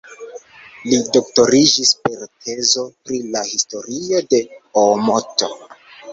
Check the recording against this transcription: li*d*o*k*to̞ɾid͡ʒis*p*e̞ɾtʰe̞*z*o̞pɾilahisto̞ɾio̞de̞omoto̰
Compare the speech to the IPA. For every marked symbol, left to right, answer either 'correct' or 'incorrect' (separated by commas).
correct, correct, correct, correct